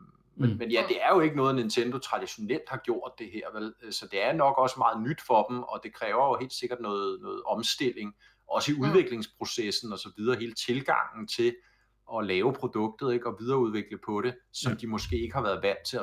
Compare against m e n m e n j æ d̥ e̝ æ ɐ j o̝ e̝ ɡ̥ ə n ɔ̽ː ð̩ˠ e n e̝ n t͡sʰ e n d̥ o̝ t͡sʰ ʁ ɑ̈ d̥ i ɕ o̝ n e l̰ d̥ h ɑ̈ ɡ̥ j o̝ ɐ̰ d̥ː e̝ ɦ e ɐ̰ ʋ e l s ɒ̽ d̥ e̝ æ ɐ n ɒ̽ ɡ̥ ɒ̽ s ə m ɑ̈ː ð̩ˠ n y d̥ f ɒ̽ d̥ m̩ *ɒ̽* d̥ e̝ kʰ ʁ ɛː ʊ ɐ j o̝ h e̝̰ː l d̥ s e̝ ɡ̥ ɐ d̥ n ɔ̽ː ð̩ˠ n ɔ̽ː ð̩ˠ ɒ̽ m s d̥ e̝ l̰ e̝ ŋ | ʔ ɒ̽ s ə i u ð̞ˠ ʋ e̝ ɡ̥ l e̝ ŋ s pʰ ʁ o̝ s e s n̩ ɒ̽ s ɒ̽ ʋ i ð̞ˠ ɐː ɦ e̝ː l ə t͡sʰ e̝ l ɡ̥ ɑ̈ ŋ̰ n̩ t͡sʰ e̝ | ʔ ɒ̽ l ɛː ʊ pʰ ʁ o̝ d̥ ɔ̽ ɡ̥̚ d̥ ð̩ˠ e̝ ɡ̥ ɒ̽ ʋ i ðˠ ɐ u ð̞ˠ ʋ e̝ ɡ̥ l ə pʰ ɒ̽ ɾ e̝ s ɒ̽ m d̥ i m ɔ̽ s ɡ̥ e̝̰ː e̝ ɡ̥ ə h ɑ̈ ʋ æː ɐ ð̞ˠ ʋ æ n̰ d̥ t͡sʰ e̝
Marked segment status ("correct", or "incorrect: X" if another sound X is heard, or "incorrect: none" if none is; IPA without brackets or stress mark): correct